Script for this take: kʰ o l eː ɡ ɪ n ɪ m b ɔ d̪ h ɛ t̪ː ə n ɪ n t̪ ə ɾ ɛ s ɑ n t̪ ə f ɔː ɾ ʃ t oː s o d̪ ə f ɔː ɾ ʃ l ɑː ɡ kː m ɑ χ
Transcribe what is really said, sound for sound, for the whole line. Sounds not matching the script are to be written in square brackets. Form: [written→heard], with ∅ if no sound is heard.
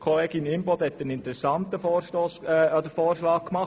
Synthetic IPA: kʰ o l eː ɡ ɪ n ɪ m b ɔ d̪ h ɛ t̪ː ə n ɪ n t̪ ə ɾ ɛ s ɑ n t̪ ə f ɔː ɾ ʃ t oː s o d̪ ə f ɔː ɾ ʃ l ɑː [ɡ→k] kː m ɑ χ